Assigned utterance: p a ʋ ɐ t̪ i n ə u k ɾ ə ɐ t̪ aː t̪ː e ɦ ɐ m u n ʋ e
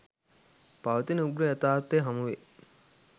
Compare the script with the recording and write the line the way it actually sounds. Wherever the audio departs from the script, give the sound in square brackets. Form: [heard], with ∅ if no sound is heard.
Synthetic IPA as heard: p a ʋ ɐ t̪ i n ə u [ɡ] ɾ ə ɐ t̪ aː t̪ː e ɦ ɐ m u [∅] ʋ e